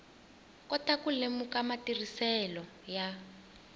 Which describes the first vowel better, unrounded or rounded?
rounded